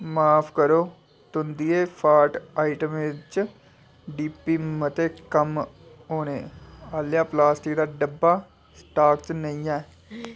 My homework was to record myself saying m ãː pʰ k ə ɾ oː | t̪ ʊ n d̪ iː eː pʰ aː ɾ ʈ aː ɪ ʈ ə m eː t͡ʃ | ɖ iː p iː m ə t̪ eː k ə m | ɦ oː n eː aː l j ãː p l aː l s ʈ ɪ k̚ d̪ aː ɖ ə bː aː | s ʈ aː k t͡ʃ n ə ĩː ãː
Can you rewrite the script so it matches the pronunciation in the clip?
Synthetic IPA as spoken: m aː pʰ k ə ɾ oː | t̪ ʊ n d̪ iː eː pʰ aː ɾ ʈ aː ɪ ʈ ə m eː t͡ʃ | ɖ iː p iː m ə t̪ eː k ə m | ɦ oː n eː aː l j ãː p l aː s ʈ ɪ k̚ d̪ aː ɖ ə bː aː | s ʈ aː k t͡ʃ n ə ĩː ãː